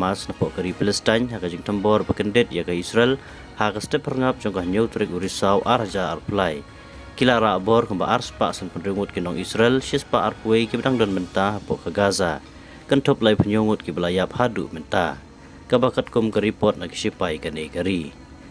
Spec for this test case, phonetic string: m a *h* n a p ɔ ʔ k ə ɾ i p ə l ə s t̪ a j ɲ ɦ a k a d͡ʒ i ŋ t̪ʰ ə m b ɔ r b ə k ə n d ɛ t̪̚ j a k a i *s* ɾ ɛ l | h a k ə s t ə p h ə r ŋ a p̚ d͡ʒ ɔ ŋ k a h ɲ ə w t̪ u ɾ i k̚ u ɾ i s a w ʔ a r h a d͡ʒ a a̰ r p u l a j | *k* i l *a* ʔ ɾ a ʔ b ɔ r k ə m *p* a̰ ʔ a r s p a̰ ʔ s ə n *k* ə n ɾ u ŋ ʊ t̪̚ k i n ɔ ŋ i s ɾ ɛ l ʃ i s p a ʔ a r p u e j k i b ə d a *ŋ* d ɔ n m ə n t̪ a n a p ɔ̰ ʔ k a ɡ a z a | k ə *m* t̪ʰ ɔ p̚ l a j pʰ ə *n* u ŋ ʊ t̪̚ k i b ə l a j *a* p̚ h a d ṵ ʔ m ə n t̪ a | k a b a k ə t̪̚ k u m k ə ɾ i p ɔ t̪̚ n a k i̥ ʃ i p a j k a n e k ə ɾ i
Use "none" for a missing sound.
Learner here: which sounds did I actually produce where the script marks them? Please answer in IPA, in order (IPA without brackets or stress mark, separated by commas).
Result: s, s, k, a, b, p, ŋ, n, ɲ, a